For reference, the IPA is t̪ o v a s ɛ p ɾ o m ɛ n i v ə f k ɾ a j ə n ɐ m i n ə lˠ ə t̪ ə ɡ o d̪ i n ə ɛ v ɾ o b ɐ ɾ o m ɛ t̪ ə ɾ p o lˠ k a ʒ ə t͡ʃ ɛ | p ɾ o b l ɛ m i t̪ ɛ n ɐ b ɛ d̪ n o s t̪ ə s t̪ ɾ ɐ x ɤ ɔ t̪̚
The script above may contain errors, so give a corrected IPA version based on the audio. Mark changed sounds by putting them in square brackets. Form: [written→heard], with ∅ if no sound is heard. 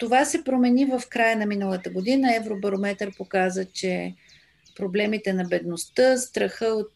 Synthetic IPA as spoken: t̪ o v a s ɛ p ɾ o m ɛ n i v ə f k ɾ a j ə n ɐ m i n ə lˠ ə t̪ ə ɡ o d̪ i n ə ɛ v ɾ o b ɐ ɾ o m ɛ t̪ ə ɾ p o [lˠ→∅] k a [ʒ→z] ə t͡ʃ ɛ | p ɾ o b l ɛ m i t̪ ɛ n ɐ b ɛ d̪ n o s t̪ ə s t̪ ɾ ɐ x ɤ [ɔ→o] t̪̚